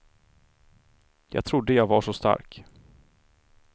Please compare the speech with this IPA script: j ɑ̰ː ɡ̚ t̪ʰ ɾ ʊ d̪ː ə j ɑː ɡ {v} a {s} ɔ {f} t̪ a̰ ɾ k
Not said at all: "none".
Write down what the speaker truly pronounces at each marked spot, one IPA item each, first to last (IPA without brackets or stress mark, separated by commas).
v, ʂ, s